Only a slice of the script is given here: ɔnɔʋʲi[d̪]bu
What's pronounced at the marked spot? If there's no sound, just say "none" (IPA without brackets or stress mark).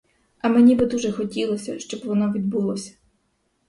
d̪